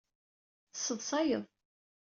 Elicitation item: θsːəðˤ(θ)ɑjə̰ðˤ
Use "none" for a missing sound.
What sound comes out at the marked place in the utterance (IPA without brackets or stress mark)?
s